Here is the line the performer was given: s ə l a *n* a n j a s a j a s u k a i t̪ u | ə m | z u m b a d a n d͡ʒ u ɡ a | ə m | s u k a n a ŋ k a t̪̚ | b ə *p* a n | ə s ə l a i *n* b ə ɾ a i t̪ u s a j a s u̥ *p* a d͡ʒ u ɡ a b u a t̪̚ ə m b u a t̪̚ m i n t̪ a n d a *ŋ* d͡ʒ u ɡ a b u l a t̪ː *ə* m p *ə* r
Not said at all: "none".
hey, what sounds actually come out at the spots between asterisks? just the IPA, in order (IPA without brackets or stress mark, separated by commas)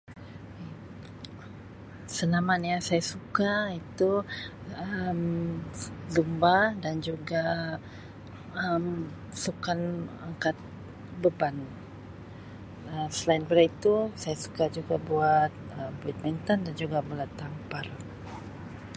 m, b, n, k, n, a, a